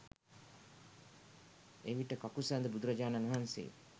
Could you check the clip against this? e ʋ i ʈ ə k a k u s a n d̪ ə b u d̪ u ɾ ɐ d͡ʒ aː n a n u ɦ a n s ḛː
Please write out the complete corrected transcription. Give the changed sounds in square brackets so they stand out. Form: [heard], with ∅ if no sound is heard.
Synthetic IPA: e ʋ i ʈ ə k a k u s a n d̪ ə b u d̪ u ɾ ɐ d͡ʒ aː n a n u ɦ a n s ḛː